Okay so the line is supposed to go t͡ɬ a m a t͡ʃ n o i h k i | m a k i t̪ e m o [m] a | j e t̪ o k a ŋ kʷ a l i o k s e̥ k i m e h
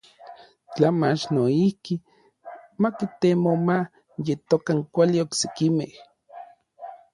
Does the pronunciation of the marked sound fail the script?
no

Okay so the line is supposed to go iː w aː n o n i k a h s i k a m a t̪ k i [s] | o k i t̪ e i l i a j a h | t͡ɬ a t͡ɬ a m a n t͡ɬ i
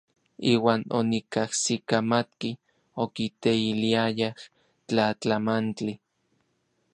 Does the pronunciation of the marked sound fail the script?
yes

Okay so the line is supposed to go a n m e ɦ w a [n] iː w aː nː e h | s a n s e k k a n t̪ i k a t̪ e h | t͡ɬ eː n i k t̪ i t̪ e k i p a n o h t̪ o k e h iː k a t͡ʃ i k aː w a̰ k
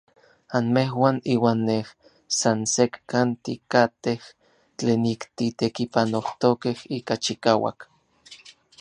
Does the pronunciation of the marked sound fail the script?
no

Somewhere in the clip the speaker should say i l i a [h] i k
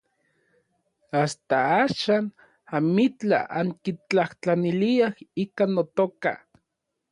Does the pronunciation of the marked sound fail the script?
no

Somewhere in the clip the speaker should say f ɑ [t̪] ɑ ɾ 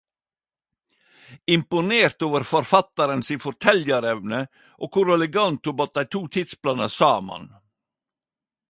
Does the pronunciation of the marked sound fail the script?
no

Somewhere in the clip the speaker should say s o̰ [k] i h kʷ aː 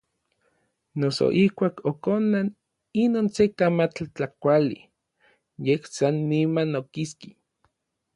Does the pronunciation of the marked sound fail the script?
yes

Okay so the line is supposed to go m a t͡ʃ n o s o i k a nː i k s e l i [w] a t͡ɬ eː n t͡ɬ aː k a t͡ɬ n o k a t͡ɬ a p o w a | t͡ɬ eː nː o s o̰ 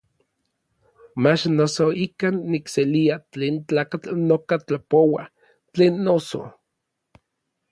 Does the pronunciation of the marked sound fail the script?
yes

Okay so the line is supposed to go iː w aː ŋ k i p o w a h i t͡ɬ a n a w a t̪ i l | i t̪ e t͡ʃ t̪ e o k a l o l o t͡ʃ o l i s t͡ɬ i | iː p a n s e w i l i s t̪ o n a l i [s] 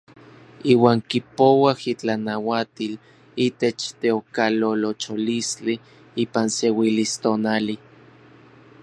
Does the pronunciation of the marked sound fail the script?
yes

